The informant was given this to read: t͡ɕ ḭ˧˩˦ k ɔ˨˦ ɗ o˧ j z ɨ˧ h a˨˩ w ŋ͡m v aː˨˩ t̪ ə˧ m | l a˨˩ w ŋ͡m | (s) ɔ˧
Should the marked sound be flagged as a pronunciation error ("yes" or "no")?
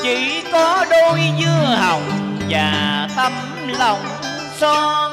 no